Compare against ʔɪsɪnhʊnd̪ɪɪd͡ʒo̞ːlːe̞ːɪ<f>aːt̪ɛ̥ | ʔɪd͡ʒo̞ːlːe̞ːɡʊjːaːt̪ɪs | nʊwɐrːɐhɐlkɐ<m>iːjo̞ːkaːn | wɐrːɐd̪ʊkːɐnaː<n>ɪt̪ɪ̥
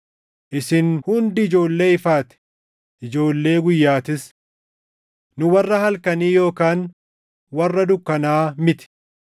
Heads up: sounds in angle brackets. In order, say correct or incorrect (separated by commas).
correct, incorrect, incorrect